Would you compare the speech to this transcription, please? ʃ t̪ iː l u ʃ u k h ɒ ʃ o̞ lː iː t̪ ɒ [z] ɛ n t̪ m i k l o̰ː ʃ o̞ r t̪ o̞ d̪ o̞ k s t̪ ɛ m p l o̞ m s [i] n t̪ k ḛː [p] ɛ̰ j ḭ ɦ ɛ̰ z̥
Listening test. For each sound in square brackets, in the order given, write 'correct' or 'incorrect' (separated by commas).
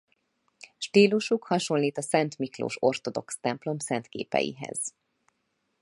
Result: incorrect, incorrect, correct